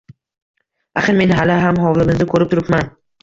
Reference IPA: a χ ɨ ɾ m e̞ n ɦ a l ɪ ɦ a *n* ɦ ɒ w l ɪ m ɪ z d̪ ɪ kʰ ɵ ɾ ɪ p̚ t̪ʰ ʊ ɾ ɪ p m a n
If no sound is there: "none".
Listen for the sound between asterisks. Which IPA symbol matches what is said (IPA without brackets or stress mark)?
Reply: m